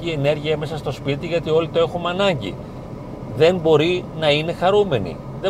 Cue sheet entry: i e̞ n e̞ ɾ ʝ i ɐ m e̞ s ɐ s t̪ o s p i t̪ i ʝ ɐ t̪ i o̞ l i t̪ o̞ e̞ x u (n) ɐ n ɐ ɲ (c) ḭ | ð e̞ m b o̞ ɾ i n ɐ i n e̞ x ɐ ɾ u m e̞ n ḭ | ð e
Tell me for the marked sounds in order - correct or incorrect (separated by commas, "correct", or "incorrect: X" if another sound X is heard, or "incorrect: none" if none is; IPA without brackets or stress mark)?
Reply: incorrect: m, incorrect: ɟ